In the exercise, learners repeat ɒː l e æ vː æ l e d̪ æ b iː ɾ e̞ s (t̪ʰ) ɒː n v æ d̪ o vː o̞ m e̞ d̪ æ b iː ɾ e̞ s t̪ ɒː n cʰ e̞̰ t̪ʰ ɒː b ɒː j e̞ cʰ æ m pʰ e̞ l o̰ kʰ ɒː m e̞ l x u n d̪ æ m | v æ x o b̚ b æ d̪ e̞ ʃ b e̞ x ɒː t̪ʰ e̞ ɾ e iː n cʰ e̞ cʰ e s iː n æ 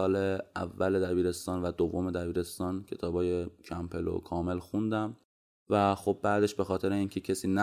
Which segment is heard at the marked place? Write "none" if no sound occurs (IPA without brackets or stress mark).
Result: t̪